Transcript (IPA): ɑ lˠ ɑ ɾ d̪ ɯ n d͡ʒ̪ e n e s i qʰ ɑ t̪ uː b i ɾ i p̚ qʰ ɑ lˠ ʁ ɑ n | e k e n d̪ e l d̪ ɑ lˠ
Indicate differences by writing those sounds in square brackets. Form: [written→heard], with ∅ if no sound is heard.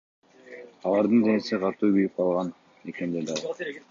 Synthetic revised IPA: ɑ lˠ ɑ ɾ d̪ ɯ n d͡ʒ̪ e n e s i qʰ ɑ t̪ uː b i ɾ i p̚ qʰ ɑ lˠ ʁ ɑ n | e k e n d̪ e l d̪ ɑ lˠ